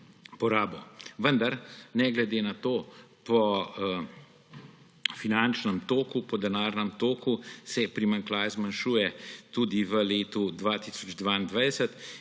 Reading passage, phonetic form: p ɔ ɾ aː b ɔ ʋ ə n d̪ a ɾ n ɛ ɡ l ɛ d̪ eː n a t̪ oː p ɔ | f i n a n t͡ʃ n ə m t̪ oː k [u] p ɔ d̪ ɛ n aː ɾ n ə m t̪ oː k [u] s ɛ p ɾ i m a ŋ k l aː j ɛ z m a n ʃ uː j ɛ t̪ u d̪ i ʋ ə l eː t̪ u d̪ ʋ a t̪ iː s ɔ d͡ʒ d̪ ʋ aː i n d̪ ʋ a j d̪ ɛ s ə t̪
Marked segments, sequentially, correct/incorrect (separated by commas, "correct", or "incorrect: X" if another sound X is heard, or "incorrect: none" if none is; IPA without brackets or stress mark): correct, correct